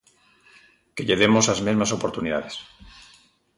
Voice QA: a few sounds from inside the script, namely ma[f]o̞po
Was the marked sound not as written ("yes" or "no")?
yes